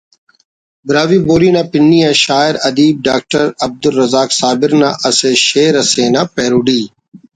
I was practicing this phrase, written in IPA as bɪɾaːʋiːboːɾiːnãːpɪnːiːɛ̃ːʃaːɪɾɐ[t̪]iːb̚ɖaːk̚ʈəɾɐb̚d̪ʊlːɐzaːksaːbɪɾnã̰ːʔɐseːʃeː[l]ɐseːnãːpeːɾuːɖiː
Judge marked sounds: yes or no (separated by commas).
no, no